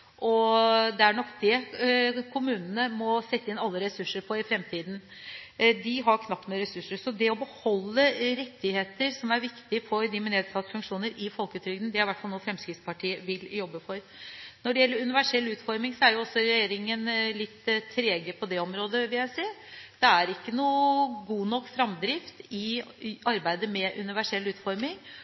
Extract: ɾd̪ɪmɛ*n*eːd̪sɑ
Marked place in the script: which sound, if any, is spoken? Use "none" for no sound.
n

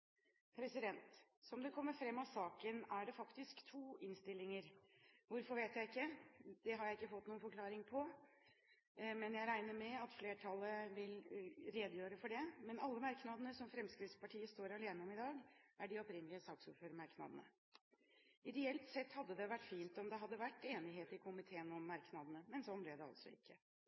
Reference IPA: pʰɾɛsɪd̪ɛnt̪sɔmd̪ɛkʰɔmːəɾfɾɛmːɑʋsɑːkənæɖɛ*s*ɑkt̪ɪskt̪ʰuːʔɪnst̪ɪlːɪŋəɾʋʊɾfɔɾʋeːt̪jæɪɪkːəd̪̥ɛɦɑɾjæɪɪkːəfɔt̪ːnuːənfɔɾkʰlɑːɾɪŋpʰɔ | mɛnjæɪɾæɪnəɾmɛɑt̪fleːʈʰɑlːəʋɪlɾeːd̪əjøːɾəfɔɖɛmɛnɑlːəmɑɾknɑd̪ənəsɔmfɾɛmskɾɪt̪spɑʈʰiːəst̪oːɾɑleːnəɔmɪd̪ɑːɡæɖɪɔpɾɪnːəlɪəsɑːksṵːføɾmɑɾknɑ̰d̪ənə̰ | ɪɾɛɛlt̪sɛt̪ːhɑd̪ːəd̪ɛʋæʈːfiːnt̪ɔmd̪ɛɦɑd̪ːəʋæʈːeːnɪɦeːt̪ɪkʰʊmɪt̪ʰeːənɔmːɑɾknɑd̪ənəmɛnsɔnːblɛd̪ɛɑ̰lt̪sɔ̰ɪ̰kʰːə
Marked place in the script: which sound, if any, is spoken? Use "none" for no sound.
f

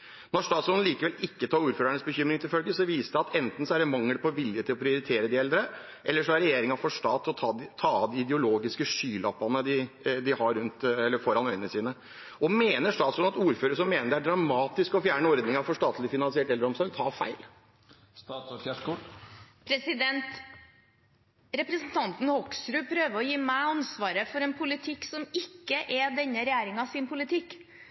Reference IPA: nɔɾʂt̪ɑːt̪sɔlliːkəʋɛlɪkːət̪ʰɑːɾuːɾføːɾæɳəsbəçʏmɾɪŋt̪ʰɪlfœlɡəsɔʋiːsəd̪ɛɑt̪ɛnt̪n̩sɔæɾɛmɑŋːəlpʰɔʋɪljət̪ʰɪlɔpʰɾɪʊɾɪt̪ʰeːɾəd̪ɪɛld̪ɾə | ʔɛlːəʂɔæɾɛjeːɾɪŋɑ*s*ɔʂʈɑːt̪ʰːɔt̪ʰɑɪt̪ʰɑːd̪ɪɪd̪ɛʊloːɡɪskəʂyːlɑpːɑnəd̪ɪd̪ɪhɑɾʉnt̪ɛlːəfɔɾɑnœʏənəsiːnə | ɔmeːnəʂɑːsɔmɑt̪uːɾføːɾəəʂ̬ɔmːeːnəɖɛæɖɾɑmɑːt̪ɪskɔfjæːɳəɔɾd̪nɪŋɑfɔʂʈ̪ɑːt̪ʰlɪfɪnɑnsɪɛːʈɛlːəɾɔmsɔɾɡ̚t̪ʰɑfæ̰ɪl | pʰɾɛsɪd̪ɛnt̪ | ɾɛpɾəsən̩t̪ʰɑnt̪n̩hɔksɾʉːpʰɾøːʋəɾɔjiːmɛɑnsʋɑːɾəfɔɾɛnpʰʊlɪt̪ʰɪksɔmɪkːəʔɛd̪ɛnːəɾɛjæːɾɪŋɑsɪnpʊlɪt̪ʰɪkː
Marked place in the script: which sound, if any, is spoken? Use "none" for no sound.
f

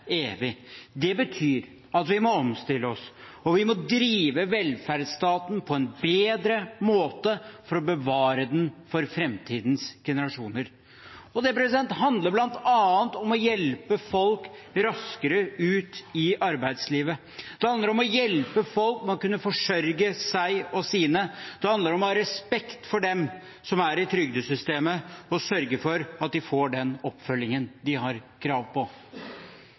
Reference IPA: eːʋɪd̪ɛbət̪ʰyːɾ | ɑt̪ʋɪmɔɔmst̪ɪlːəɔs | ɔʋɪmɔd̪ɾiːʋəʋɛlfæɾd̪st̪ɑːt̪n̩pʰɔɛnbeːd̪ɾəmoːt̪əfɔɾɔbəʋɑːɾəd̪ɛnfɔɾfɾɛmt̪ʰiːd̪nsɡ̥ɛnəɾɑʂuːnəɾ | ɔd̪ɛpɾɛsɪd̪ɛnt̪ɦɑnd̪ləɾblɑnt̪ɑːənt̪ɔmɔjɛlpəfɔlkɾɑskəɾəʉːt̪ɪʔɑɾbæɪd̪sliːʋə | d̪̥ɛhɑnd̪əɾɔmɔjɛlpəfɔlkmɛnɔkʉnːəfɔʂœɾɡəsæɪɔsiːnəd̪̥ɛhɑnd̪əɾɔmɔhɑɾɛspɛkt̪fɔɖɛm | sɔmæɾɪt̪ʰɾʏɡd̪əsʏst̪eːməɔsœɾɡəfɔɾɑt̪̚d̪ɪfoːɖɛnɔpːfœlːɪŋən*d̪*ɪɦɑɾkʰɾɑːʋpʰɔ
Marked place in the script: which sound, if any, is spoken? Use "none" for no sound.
d̪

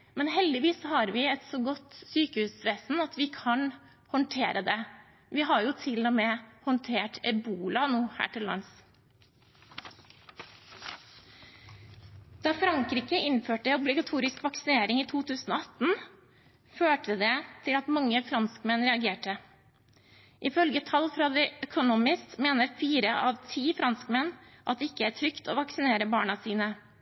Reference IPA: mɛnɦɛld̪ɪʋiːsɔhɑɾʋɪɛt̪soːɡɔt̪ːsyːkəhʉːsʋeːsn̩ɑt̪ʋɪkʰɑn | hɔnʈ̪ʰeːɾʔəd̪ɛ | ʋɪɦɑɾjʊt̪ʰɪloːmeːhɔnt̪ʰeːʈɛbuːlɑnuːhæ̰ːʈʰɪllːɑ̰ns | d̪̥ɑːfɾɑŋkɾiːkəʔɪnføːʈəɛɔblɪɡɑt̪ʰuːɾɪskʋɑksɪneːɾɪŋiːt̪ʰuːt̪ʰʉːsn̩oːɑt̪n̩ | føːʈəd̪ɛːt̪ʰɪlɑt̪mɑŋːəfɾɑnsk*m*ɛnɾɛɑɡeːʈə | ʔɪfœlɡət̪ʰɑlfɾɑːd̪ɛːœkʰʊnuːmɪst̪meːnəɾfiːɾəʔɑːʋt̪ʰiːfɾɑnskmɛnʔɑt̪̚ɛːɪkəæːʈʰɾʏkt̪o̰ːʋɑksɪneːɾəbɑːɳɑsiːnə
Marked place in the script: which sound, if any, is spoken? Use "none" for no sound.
m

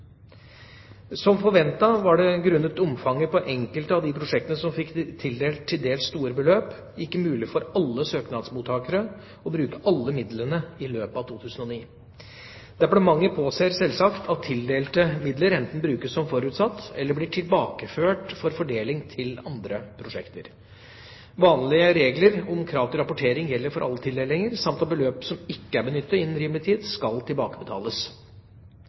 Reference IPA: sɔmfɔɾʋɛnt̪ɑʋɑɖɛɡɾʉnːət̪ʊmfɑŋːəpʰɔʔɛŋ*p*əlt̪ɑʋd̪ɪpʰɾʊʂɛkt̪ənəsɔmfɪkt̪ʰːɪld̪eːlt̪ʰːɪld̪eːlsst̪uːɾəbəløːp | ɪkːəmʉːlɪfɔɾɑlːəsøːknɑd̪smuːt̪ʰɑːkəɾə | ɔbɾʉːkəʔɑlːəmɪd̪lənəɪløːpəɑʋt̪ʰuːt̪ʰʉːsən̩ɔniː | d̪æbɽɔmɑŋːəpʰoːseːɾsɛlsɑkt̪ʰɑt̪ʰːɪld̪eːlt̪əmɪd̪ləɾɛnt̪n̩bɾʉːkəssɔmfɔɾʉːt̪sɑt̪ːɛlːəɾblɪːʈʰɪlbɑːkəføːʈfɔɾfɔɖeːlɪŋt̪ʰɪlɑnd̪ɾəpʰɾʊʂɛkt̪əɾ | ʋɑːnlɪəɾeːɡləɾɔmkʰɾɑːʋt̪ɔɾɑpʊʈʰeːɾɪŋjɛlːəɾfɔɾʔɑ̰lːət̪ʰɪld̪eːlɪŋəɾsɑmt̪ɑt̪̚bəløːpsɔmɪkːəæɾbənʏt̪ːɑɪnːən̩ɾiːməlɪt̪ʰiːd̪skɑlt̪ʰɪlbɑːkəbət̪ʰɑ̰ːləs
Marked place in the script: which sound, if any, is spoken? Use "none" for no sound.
k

